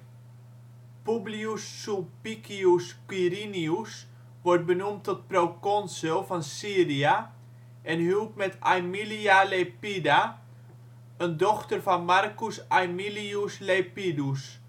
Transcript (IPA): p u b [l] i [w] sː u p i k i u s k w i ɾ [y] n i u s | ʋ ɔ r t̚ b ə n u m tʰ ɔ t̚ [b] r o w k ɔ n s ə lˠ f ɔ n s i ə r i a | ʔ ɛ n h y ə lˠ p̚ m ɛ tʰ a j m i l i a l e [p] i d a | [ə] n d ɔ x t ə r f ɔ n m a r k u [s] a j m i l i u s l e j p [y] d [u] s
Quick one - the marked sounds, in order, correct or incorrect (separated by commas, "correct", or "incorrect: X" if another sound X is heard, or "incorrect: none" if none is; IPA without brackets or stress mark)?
correct, incorrect: u, incorrect: i, incorrect: p, correct, correct, correct, incorrect: i, correct